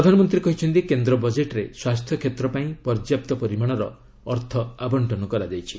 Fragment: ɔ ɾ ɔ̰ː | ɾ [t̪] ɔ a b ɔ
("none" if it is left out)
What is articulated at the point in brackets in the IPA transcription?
t̪ʰ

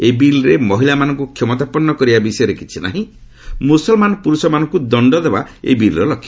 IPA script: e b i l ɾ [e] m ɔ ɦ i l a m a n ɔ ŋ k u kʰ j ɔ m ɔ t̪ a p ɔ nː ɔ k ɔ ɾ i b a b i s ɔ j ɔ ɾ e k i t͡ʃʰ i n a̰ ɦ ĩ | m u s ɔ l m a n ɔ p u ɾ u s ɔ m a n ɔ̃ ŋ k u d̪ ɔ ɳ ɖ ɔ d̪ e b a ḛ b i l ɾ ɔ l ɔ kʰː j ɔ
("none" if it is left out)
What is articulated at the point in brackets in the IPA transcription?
e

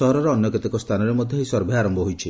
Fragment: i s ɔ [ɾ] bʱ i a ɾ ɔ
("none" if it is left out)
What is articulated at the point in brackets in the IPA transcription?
ɾ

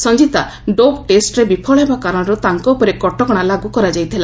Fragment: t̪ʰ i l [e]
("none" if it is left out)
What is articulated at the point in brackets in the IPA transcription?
a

